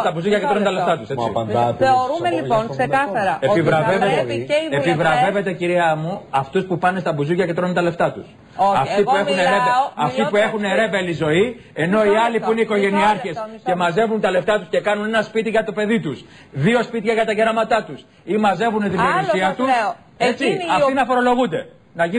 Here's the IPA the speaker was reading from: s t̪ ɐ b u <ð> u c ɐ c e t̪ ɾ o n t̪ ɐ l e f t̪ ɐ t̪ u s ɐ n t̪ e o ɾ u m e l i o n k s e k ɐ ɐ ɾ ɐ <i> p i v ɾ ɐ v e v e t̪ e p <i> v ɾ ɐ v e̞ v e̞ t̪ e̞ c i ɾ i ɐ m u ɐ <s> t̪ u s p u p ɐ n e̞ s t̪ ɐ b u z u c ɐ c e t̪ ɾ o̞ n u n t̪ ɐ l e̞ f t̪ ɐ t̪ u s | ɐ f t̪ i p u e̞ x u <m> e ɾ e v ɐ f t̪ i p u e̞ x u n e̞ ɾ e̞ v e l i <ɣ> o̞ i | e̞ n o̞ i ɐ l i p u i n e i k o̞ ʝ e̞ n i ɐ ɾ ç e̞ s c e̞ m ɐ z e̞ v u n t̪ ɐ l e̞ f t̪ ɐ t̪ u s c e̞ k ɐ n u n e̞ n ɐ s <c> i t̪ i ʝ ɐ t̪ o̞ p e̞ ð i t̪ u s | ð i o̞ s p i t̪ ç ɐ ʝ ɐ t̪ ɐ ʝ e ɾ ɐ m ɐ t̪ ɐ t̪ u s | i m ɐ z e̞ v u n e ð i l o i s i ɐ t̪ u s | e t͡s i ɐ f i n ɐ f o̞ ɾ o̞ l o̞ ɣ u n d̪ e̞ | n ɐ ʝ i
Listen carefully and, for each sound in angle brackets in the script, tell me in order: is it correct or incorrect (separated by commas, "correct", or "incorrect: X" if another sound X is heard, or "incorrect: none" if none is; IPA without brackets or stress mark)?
incorrect: z, incorrect: e, correct, incorrect: f, incorrect: n, incorrect: z, incorrect: p